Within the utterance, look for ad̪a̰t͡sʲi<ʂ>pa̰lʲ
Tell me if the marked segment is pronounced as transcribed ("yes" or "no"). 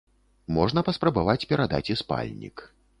no